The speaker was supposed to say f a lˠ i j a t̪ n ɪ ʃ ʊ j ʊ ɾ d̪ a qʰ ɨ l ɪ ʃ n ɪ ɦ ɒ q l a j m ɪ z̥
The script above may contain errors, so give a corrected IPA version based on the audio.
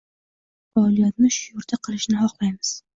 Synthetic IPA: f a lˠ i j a t̪ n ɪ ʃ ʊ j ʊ ɾ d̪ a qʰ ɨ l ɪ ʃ n ɪ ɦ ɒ q l a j m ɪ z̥